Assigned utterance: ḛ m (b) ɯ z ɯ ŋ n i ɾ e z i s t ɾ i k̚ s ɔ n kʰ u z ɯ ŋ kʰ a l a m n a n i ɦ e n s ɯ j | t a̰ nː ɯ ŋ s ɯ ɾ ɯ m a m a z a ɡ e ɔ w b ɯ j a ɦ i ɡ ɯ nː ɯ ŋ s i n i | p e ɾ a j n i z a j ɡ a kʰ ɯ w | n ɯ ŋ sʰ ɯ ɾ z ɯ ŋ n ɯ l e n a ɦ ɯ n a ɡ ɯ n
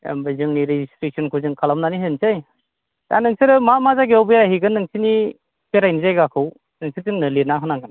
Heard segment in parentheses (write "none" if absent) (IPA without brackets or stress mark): b